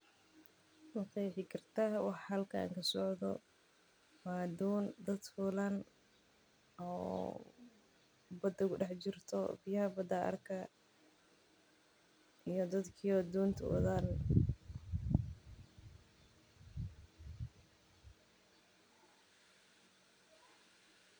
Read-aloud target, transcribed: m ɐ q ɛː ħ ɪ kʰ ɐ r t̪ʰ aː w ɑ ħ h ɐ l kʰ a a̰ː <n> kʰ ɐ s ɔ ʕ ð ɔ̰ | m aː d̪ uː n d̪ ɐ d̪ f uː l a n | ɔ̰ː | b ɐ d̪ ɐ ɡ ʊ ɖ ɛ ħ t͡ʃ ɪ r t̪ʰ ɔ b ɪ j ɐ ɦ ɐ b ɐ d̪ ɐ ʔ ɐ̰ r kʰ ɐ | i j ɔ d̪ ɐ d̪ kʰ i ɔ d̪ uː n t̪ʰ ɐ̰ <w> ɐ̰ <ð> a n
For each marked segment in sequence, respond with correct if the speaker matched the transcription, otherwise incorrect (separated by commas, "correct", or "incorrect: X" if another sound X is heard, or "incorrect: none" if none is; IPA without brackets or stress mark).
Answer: incorrect: ŋ, correct, correct